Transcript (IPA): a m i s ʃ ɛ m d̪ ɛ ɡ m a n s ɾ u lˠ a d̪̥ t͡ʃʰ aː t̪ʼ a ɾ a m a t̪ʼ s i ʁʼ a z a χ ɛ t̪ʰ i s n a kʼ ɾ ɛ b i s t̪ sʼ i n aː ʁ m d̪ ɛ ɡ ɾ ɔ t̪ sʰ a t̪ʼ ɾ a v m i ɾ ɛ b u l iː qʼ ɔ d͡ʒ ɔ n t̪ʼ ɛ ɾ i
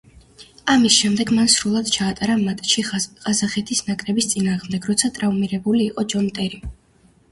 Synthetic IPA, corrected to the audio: a m i s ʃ ɛ m d̪ ɛ ɡ m a n s ɾ u lˠ a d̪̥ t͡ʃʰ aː t̪ʼ a ɾ a m a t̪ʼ ʃ i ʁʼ a z a χ ɛ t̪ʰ i s n a kʼ ɾ ɛ b i s t̪ sʼ i n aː ʁ m d̪ ɛ ɡ ɾ ɔ t̪ sʰ a t̪ʼ ɾ a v m i ɾ ɛ b u l iː qʼ ɔ d͡ʒ ɔ n t̪ʼ ɛ ɾ i